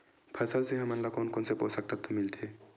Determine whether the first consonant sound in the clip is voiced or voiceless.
voiceless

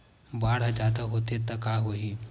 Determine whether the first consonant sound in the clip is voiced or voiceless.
voiced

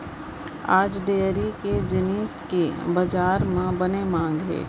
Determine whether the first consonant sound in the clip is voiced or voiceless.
voiced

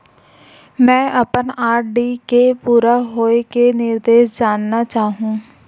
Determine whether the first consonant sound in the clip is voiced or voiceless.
voiced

